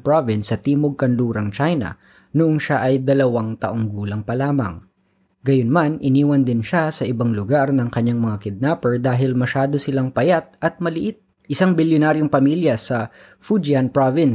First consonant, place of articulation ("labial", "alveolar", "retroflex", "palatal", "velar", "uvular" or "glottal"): labial